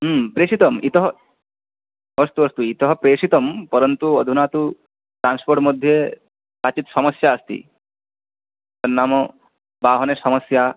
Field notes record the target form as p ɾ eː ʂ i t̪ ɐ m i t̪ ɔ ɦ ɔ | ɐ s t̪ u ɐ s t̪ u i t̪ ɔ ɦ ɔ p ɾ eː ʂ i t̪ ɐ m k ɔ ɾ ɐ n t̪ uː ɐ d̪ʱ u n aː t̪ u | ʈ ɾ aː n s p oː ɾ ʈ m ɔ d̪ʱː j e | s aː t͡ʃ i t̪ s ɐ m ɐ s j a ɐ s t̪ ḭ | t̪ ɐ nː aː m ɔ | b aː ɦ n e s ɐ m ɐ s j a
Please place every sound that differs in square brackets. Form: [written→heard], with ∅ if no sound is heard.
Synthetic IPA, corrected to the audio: p ɾ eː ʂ i t̪ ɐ m i t̪ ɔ ɦ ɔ | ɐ s t̪ u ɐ s t̪ u i t̪ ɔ ɦ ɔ p ɾ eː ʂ i t̪ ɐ m [k→p] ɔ ɾ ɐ n t̪ [uː→u] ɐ d̪ʱ u n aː t̪ u | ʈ ɾ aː n s p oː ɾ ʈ m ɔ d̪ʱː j e | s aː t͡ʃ i t̪ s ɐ m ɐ s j a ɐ s t̪ ḭ | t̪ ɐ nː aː m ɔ | b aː ɦ n e s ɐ m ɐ s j a